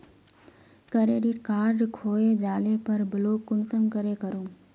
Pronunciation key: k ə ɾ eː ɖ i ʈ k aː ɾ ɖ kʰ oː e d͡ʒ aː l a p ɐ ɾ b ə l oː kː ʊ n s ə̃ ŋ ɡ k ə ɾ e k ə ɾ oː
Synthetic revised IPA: k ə ɾ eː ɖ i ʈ k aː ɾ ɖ kʰ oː e d͡ʒ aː l e p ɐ ɾ b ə l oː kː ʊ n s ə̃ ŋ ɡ k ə ɾ e k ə ɾ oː